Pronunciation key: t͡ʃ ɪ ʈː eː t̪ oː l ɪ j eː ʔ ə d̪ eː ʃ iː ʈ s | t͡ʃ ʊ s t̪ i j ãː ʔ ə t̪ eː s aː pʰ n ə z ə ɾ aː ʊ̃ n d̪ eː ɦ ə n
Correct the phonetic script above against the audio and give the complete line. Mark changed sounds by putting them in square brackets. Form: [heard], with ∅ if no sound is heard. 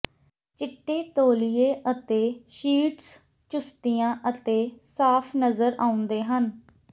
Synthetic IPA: t͡ʃ ɪ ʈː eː t̪ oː l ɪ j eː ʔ ə [t̪] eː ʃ iː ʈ s | t͡ʃ ʊ s t̪ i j ãː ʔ ə t̪ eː s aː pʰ n ə z ə ɾ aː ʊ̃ n d̪ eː ɦ ə n